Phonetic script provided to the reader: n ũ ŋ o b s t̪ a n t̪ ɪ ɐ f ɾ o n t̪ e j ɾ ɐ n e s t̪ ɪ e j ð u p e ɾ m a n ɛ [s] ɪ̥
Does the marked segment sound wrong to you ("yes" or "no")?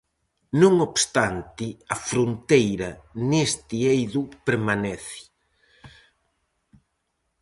yes